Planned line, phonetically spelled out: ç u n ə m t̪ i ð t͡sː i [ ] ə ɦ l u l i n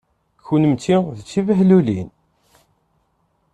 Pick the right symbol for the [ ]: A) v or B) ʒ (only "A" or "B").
A